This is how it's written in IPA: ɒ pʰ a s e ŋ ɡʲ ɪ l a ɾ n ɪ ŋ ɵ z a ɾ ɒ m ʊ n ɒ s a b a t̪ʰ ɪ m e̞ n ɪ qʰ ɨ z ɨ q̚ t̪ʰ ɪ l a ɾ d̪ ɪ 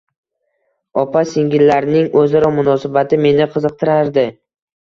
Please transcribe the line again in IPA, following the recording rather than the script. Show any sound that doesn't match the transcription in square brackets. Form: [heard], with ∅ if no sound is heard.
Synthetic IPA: ɒ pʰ a s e ŋ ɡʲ ɪ [lː] a ɾ n ɪ ŋ ɵ z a ɾ ɒ m ʊ n ɒ s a b a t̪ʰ ɪ m e̞ n ɪ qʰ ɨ z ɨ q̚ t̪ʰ ɪ [ɾ] a ɾ d̪ ɪ